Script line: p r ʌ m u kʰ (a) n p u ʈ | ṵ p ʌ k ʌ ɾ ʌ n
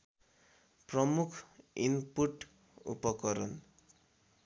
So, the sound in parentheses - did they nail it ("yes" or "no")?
no